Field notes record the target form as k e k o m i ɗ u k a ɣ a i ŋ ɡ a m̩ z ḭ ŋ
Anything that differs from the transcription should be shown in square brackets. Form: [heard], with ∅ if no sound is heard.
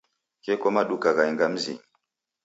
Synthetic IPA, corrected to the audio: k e k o m [a] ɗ u k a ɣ a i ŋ ɡ a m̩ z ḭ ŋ